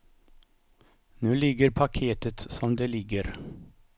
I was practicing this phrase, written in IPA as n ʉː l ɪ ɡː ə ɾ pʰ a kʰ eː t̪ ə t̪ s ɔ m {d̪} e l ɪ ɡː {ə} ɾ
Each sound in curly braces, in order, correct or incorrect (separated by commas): correct, correct